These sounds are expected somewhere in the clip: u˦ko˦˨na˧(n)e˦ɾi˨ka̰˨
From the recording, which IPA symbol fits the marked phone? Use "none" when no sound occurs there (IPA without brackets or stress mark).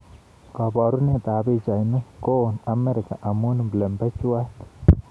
m